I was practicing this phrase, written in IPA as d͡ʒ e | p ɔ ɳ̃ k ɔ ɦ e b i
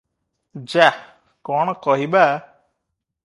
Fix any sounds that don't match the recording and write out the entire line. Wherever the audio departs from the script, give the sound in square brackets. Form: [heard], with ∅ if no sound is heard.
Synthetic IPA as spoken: d͡ʒ [a] | [k] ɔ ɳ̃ k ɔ ɦ [i] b [a]